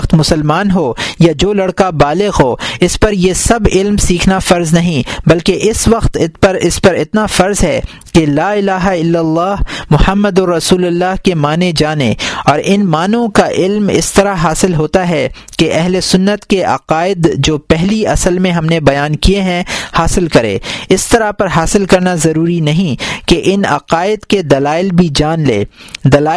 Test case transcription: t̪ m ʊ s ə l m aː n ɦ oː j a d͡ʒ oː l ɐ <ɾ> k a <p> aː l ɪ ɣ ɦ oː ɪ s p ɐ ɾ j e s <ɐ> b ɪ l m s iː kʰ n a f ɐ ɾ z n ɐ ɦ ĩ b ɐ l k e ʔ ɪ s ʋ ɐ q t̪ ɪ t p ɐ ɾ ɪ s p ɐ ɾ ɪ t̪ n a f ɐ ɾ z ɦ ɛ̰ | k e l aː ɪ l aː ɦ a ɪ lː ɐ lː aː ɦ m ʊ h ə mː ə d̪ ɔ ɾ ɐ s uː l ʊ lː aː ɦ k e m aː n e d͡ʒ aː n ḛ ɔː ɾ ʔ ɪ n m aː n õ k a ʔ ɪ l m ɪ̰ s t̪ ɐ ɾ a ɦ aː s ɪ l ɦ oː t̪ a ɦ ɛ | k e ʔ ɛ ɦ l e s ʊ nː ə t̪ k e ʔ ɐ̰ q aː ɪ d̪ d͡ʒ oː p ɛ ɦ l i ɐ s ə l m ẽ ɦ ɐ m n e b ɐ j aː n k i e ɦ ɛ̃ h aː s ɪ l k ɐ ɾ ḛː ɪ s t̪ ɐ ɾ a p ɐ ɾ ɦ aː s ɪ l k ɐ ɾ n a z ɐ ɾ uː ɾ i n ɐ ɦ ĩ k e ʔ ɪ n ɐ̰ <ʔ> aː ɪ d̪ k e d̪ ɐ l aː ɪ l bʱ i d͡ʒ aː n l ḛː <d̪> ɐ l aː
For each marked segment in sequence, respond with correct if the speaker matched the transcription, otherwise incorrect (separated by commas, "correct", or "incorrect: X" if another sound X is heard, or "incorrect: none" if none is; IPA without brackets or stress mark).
incorrect: ɽ, incorrect: b, correct, incorrect: q, correct